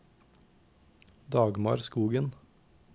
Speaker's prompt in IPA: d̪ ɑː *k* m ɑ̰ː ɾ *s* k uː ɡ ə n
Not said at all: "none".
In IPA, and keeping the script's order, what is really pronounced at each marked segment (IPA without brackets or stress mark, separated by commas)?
ɡ, s